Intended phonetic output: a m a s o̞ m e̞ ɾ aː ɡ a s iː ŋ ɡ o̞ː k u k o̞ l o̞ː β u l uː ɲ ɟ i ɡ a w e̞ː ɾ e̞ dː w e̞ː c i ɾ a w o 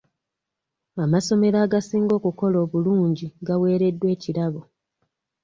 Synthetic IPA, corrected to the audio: a m a s o̞ m e̞ ɾ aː ɡ a s iː ŋ ɡ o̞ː k u k o̞ l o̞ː β u l uː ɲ ɟ i ɡ a w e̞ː ɾ e̞ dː w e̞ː c i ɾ a β o